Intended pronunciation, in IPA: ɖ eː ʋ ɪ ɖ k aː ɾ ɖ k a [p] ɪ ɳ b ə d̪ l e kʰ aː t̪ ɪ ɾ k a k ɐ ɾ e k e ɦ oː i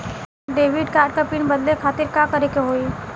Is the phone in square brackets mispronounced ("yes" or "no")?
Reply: no